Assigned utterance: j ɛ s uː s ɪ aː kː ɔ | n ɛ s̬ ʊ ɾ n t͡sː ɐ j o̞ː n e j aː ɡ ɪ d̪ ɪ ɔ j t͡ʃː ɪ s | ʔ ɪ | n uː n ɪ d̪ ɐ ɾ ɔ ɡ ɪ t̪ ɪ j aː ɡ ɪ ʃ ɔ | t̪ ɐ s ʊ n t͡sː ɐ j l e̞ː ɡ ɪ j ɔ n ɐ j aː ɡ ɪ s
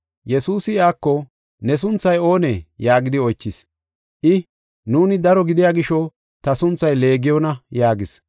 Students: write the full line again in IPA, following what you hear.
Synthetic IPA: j ɛ s uː s ɪ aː kː ɔ | n ɛ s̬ ʊ n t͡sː ɐ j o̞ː n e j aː ɡ ɪ d̪ ɪ ɔ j t͡ʃː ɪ s | ʔ ɪ | n uː n ɪ d̪ ɐ ɾ ɔ ɡ ɪ d̪ ɪ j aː ɡ ɪ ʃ ɔ | t̪ ɐ s ʊ n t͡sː ɐ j l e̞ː ɡ ɪ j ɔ n ɐ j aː ɡ ɪ s